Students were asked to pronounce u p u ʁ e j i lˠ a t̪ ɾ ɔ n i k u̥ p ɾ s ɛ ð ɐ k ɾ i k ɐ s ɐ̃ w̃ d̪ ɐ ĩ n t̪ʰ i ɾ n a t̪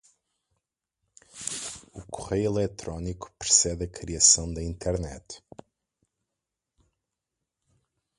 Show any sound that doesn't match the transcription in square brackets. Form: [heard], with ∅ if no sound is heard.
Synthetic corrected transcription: u [k] u ʁ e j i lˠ [ɛ] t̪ ɾ ɔ n i k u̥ p ɾ s ɛ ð ɐ k ɾ i [∅] ɐ s ɐ̃ w̃ d̪ ɐ ĩ n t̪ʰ [ɛ] ɾ n [ɛ] t̪